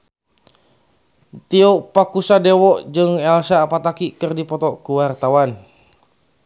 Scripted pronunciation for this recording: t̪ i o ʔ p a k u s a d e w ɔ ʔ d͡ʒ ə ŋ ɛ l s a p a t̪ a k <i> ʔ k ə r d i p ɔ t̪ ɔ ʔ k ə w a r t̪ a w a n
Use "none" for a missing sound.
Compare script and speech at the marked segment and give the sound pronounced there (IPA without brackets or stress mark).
i